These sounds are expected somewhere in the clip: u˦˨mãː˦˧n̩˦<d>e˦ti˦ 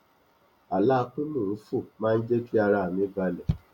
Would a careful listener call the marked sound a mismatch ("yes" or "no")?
yes